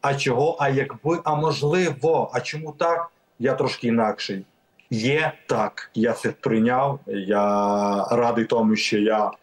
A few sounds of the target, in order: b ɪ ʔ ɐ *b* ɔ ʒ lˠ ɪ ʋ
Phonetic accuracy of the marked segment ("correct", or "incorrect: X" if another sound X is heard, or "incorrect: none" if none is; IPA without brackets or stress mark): incorrect: m